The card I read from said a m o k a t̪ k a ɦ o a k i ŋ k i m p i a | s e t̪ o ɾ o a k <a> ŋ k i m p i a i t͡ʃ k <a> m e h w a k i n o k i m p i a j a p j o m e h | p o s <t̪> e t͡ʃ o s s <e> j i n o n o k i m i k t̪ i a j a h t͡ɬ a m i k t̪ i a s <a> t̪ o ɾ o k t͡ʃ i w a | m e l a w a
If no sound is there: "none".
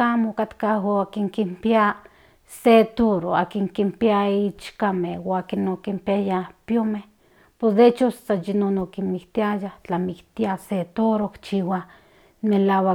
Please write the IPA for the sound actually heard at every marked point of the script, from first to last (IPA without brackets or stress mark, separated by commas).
i, a, d̪, a, e